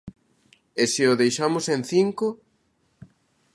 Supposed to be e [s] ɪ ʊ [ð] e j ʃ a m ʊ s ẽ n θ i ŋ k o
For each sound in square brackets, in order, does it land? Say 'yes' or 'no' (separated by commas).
yes, yes